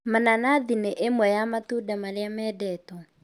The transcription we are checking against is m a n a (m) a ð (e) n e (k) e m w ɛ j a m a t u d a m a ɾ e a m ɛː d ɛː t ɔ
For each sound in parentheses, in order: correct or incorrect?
incorrect, incorrect, incorrect

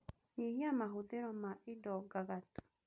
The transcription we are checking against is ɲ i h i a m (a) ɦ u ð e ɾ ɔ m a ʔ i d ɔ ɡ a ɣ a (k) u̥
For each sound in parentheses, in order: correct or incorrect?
correct, incorrect

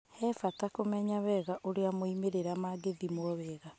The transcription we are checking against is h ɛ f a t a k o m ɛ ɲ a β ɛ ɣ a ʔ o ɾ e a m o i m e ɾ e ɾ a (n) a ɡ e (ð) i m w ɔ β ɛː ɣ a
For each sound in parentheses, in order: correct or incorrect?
incorrect, correct

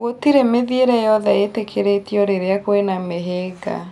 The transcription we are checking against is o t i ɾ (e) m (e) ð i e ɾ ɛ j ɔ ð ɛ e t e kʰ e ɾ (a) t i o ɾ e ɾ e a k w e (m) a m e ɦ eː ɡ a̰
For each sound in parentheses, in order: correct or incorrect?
correct, correct, incorrect, incorrect

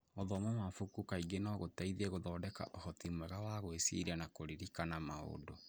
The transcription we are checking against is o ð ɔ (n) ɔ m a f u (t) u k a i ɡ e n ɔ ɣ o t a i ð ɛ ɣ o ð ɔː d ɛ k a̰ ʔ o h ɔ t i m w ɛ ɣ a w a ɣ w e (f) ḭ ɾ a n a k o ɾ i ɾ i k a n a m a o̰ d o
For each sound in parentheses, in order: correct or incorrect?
incorrect, incorrect, incorrect

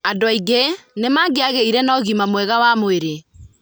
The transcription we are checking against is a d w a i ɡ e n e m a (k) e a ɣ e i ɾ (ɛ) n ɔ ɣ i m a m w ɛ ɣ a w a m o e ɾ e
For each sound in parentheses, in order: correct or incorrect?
incorrect, correct

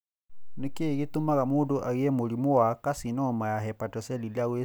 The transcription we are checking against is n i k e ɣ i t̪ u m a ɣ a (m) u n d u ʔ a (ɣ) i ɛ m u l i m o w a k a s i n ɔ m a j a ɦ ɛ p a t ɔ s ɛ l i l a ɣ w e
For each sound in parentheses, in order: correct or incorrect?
correct, correct

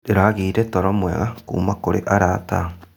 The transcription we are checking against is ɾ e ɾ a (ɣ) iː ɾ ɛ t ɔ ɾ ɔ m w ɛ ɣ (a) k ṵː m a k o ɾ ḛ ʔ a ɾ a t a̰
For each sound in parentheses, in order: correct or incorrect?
correct, correct

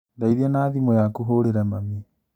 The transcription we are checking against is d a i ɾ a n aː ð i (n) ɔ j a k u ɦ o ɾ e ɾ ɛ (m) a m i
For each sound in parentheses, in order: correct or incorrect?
incorrect, correct

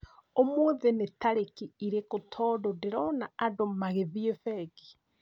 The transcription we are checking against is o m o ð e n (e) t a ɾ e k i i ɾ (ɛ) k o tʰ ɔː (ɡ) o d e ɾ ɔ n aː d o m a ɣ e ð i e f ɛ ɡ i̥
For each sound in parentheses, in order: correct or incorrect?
correct, incorrect, incorrect

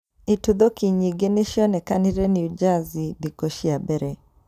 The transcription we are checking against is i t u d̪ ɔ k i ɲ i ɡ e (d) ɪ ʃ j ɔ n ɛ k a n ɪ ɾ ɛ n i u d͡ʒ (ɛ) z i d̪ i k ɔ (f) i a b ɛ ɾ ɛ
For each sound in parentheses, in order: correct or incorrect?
incorrect, incorrect, incorrect

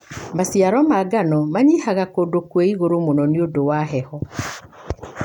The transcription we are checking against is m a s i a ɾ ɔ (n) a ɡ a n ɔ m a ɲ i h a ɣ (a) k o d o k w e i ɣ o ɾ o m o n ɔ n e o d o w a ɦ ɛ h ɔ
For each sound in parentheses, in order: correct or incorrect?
incorrect, correct

